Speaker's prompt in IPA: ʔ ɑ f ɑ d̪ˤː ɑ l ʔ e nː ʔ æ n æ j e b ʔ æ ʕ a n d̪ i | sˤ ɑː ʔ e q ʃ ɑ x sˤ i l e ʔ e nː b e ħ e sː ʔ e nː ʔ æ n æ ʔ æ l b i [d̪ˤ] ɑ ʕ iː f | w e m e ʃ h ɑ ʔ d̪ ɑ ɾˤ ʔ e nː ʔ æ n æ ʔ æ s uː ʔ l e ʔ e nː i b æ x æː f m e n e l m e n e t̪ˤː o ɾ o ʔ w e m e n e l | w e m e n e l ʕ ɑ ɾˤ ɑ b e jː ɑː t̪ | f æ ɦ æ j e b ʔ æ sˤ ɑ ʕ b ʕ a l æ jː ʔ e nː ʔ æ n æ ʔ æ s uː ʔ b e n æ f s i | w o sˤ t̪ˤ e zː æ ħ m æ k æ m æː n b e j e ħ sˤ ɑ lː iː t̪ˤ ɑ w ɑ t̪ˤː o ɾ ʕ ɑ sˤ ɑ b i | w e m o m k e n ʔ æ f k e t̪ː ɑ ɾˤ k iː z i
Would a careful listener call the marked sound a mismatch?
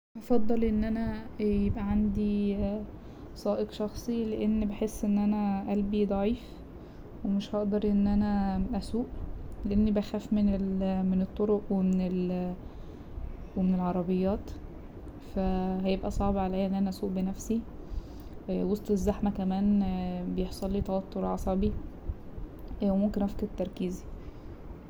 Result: no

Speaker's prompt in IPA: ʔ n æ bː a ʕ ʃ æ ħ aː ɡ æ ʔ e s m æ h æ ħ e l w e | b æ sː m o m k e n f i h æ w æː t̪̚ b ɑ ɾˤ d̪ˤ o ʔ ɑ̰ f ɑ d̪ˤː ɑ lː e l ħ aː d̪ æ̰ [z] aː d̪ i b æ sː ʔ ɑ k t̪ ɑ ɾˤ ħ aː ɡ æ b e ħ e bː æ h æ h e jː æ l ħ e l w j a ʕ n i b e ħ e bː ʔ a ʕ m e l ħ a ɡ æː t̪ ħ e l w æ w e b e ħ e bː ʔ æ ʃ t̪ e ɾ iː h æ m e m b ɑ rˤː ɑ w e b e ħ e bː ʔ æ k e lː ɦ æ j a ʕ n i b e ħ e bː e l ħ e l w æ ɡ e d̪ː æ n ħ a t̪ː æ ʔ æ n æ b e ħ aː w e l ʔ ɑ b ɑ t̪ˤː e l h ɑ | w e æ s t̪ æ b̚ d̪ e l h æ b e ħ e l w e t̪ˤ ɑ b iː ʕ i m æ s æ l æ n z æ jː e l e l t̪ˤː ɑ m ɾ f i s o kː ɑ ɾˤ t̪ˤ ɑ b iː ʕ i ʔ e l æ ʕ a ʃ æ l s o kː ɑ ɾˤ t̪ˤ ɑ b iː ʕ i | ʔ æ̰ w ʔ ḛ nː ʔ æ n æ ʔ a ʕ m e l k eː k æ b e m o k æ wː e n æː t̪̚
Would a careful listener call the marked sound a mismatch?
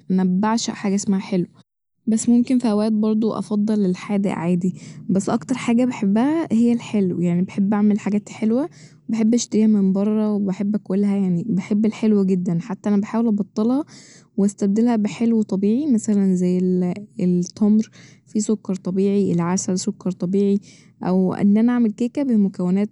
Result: yes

